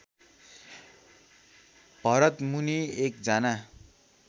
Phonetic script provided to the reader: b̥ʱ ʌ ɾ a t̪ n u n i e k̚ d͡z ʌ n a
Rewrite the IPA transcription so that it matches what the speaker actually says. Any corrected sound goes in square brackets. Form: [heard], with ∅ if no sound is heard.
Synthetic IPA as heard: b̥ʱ ʌ ɾ [ʌ] t̪ [m] u n i e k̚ d͡z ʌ n a